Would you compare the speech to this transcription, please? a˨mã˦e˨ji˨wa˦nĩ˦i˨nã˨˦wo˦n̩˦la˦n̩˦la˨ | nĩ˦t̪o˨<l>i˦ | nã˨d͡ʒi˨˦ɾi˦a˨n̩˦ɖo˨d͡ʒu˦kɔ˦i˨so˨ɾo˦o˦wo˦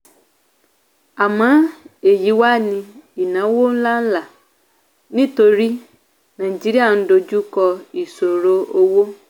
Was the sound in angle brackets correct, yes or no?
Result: no